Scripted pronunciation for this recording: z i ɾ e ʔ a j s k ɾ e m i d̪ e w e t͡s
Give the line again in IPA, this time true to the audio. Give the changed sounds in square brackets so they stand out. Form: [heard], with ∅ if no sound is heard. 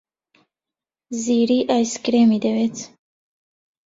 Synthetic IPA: z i ɾ [i] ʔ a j s k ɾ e m i d̪ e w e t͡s